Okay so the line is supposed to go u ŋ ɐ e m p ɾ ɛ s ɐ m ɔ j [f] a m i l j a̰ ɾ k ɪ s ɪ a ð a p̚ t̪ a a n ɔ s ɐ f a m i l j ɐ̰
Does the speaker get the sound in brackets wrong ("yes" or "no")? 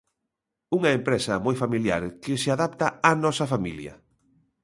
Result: no